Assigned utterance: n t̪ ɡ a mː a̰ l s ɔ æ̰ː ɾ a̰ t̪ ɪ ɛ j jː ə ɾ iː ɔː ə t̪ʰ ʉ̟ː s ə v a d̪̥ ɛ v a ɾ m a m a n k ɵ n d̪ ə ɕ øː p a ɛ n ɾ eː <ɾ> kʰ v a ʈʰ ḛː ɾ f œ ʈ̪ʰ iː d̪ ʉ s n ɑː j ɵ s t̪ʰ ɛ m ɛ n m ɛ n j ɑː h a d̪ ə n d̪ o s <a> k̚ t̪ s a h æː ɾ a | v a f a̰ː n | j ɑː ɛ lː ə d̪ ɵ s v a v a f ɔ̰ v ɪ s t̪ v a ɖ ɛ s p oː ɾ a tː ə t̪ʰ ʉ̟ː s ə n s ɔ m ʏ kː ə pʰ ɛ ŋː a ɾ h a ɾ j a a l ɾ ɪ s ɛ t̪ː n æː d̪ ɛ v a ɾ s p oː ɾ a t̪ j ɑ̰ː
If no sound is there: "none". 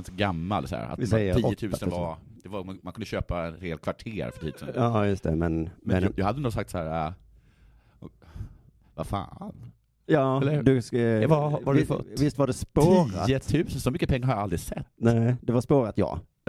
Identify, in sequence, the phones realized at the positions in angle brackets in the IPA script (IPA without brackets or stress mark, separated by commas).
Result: l, a